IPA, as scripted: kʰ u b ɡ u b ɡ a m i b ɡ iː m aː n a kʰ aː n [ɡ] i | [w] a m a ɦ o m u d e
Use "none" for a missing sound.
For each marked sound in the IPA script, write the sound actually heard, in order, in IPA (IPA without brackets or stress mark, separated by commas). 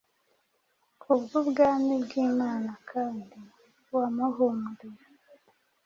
d, w